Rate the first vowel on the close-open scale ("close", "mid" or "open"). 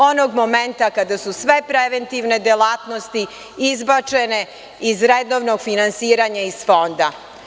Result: mid